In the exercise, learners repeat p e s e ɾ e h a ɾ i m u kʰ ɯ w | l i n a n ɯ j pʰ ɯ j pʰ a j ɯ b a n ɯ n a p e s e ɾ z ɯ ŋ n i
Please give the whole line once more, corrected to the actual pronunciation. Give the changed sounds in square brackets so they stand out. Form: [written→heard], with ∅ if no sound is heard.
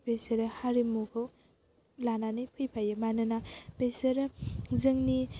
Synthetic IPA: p e s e ɾ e h a ɾ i m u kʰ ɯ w | l [i→a] n a n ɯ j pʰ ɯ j pʰ a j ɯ [b→m] a n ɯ n a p e s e ɾ z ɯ ŋ n i

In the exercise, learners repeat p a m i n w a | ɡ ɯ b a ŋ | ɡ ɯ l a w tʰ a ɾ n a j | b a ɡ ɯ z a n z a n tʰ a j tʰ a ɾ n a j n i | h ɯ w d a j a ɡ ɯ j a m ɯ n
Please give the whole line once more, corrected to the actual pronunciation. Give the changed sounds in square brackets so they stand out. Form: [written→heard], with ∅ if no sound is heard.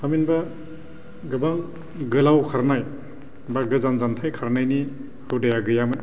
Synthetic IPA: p a m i n [w→b] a | ɡ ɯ b a ŋ | ɡ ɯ l a w [tʰ→kʰ] a ɾ n a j | b a ɡ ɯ z a n z a n tʰ a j [tʰ→kʰ] a ɾ n a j n i | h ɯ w d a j a ɡ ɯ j a m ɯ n

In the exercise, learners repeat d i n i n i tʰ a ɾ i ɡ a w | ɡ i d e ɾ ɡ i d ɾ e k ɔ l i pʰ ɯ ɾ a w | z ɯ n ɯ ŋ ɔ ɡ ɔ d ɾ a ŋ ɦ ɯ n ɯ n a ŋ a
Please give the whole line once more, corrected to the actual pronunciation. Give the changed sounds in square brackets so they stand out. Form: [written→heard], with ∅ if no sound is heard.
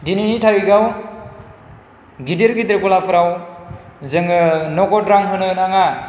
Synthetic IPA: d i n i n i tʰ a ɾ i ɡ a w | ɡ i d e ɾ ɡ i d ɾ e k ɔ l [i→a] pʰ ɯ ɾ a w | z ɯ [n→ŋ] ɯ [ŋ→n] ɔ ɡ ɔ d ɾ a ŋ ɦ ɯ n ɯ n a ŋ a

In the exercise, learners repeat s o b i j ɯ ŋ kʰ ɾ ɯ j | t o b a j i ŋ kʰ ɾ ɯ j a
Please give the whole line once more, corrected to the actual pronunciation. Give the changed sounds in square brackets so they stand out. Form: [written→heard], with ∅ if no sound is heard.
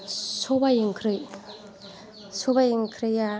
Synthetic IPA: s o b [i→a] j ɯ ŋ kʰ ɾ ɯ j | [t→s] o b a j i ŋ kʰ ɾ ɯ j a

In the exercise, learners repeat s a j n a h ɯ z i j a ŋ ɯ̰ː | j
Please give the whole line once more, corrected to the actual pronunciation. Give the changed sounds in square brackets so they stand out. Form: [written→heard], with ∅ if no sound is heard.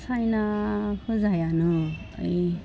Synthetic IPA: s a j n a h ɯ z [i→a] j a [ŋ→n] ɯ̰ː | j

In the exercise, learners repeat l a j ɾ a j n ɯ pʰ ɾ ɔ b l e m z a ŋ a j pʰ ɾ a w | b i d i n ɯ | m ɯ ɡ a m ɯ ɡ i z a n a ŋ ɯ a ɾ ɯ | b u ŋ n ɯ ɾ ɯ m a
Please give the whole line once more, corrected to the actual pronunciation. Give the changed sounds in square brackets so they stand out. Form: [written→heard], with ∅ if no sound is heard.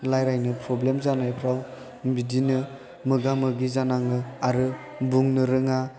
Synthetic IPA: l a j ɾ a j n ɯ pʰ ɾ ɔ b l e m z a [ŋ→n] a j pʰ ɾ a w | b i d i n ɯ | m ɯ ɡ a m ɯ ɡ i z a n a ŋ ɯ a ɾ ɯ | b u ŋ n ɯ ɾ ɯ [m→ŋ] a

